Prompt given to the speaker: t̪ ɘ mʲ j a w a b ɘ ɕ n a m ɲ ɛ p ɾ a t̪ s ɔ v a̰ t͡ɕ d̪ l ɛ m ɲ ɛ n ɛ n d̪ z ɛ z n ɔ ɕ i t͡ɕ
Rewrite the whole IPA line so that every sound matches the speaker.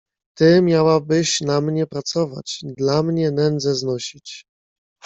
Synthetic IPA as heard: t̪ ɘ mʲ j a w a b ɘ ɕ n a m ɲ ɛ p ɾ a t̪ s ɔ v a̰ t͡ɕ d̪ l a m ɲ ɛ n ɛ n d̪ z ɛ z n ɔ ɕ i t͡ɕ

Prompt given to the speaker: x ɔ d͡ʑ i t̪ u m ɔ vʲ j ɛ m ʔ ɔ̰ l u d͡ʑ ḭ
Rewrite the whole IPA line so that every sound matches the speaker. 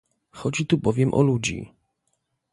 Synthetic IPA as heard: x ɔ d͡ʑ i t̪ u b ɔ vʲ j ɛ m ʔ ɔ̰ l u d͡ʑ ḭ

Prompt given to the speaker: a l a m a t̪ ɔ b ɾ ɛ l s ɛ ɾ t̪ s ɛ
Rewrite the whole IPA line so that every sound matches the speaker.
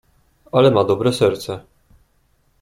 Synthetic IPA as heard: a l ɛ m a d̪ ɔ b ɾ ɛ s ɛ ɾ t̪ s ɛ

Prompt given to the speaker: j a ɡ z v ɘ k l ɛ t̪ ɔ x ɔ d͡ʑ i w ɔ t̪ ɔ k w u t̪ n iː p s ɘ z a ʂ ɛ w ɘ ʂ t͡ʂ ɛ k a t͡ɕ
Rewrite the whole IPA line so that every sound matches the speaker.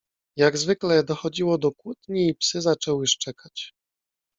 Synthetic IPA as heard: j a ɡ z v ɘ k l ɛ d̪ ɔ x ɔ d͡ʑ i w ɔ d̪ ɔ k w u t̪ ɲ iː p s ɘ z a t͡ʂ ɛ w ɘ ʂ t͡ʂ ɛ k a t͡ɕ

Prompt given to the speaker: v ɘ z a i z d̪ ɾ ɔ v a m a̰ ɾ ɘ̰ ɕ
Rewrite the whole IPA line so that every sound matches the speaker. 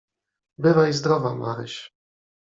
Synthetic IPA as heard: b ɘ v a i z d̪ ɾ ɔ v a m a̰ ɾ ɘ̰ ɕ

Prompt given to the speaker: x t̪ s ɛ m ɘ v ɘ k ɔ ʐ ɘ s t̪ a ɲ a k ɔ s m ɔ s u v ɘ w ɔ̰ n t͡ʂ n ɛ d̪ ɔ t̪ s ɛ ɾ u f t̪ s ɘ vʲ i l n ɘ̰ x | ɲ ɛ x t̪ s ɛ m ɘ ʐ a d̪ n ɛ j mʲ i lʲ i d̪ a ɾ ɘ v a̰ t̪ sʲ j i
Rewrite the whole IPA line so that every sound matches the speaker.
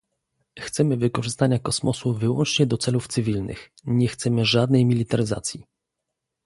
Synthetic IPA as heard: x t̪ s ɛ m ɘ v ɘ k ɔ ʐ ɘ s t̪ a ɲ a k ɔ s m ɔ s u v ɘ w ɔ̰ n t͡ʂ ɲ ɛ d̪ ɔ t̪ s ɛ l u f t̪ s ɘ vʲ i l n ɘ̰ x | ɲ ɛ x t̪ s ɛ m ɘ ʐ a d̪ n ɛ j mʲ i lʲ i t̪ a ɾ ɘ z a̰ t̪ sʲ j i

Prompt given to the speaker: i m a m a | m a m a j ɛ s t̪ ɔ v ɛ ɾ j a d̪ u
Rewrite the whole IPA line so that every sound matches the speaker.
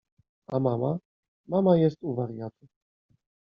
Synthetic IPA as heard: a m a m a | m a m a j ɛ s t̪ u v a ɾ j a t̪ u

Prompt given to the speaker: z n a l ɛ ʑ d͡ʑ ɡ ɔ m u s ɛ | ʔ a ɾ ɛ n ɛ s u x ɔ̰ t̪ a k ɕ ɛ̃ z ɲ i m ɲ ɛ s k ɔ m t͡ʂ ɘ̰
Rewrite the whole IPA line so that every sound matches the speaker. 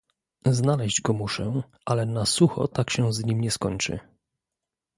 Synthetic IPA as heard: z n a l ɛ ʑ d͡ʑ ɡ ɔ m u ʂ ɛ | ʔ a l ɛ n a s u x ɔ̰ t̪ a k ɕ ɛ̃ z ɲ i m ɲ ɛ s k ɔ ɲ t͡ʂ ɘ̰

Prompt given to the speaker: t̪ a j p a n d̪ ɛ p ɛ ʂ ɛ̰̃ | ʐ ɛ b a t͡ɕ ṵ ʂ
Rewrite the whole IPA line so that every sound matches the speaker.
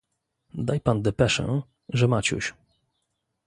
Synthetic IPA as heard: d̪ a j p a n d̪ ɛ p ɛ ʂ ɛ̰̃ | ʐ ɛ m a t͡ɕ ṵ ɕ

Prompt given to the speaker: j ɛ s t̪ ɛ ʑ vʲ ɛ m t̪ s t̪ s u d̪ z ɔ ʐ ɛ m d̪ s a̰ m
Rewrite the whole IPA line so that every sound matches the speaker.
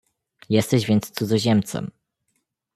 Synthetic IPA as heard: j ɛ s t̪ ɛ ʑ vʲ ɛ n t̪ s t̪ s u d̪ z ɔ ʑ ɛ m t̪ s ɛ̰ m

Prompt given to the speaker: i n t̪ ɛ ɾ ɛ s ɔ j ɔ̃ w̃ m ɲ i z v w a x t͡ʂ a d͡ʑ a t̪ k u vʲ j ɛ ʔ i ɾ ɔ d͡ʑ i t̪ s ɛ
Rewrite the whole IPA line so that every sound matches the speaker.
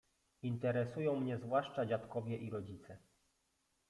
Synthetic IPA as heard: i n t̪ ɛ ɾ ɛ s u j ɔ̃ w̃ m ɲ ɛ z v w a ʂ t͡ʂ a d͡ʑ a t̪ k ɔ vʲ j ɛ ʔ i ɾ ɔ d͡ʑ i t̪ s ɛ

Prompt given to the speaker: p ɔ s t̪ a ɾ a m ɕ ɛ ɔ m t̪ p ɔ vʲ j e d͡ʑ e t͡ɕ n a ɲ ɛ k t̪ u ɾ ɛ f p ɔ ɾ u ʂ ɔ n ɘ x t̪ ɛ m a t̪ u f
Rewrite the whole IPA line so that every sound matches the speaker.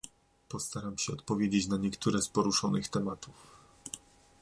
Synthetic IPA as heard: p ɔ s t̪ a ɾ a m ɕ ɛ ɔ t̪ p ɔ vʲ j e d͡ʑ e t͡ɕ n a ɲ ɛ k t̪ u ɾ ɛ s p ɔ ɾ u ʂ ɔ n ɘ x t̪ ɛ m a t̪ u f

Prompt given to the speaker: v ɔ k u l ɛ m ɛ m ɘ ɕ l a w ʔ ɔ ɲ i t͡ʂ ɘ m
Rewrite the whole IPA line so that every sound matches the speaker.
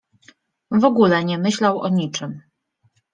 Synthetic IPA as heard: v ɔ ɡ u l ɛ ɲ ɛ m ɘ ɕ l a w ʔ ɔ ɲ i t͡ʂ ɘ m

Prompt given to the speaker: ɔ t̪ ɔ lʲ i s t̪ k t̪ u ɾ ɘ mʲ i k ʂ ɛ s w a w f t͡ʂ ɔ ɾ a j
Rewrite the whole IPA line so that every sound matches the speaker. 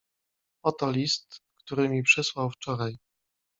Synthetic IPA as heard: ɔ t̪ ɔ lʲ i s t̪ k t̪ u ɾ ɘ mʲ i p ʂ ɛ s w a w f t͡ʂ ɔ ɾ a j

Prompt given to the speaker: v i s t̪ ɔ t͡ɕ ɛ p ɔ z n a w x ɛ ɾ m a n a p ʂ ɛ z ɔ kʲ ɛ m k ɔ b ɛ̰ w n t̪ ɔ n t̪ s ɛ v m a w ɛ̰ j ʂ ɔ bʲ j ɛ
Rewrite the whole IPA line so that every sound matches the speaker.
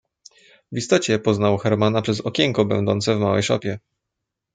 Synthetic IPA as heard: v i s t̪ ɔ t͡ɕ ɛ p ɔ z n a w x ɛ ɾ m a n a p ʂ ɛ z ɔ kʲ ɛ ŋ k ɔ b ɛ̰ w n d̪ ɔ n t̪ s ɛ v m a w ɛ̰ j ʂ ɔ pʲ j ɛ

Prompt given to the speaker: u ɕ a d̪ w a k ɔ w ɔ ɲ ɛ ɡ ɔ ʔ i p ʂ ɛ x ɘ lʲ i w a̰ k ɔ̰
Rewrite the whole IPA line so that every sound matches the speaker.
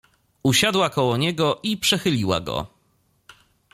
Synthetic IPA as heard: u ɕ a d̪ w a k ɔ w ɔ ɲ ɛ ɡ ɔ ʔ i p ʂ ɛ x ɘ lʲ i w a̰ ɡ ɔ̰

